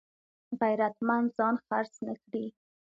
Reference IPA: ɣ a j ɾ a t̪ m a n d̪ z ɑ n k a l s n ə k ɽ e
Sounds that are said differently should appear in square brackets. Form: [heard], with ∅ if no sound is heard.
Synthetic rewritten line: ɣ a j ɾ a t̪ m a n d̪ z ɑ n [x] a [ɾ] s n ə k ɽ [i]